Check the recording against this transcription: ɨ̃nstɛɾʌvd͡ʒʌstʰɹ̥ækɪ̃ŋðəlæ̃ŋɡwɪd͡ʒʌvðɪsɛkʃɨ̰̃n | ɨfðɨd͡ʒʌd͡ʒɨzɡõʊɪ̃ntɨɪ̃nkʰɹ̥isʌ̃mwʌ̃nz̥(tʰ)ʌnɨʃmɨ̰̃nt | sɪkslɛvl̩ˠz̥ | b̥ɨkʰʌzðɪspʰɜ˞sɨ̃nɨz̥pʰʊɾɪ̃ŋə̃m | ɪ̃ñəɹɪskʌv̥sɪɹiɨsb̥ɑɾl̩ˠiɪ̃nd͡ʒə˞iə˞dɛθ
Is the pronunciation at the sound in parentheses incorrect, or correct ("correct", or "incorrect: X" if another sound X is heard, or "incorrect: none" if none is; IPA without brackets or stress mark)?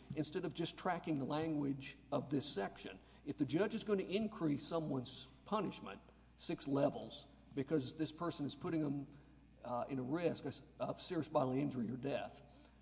incorrect: pʰ